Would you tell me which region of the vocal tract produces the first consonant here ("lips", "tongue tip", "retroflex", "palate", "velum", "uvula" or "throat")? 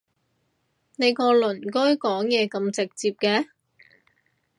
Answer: tongue tip